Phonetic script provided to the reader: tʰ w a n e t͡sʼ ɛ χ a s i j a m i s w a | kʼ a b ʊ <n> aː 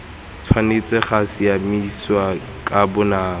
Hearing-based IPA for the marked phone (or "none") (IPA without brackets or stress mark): n